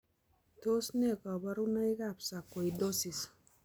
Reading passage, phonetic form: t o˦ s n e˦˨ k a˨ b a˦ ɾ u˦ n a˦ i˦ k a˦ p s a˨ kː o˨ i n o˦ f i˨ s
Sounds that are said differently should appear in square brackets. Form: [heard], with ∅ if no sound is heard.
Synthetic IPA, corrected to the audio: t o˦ s n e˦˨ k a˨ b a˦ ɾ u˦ n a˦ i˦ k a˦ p s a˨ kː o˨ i [d] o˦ [s] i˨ s